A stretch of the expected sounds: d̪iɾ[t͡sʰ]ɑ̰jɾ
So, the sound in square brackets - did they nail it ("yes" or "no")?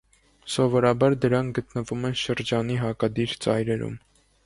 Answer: no